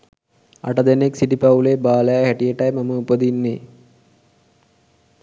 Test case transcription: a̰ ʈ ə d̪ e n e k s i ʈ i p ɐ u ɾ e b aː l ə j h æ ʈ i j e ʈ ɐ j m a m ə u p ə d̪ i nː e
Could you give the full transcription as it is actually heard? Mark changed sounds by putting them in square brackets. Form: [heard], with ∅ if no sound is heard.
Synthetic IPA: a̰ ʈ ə d̪ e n e k s i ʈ i p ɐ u [l] e b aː l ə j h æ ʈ i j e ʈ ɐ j m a m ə u p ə d̪ i nː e